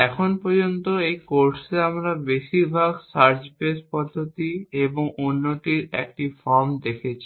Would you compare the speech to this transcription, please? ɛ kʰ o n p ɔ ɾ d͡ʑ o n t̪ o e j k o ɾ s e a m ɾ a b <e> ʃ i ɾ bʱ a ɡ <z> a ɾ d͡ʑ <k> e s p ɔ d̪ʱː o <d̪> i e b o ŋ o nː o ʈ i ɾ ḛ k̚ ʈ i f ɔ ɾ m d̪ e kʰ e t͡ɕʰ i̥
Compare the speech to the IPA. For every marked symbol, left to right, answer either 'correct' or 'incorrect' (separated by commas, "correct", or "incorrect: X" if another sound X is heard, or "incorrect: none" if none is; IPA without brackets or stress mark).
correct, incorrect: s, incorrect: p, incorrect: t̪